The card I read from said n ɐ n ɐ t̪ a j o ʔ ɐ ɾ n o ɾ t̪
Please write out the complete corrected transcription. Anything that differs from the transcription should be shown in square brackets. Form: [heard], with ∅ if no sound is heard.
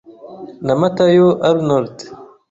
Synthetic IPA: n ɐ [m] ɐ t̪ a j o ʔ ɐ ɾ n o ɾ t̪